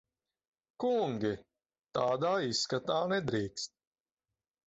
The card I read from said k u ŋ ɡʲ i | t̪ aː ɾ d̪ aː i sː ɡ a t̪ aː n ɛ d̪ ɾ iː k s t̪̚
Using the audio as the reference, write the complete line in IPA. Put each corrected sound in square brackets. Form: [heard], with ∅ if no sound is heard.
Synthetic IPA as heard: k u ŋ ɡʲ i | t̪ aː [∅] d̪ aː i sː [k] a t̪ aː n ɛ d̪ ɾ iː k s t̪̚